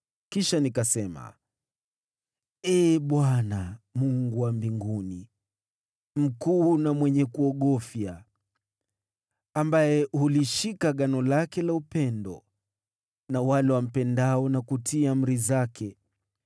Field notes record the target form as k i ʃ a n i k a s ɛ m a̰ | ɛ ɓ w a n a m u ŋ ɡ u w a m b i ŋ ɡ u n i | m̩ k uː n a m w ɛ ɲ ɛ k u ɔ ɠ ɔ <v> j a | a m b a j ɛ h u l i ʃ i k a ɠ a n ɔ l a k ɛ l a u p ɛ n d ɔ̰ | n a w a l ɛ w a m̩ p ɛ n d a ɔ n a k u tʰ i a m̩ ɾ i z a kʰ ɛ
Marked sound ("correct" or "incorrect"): incorrect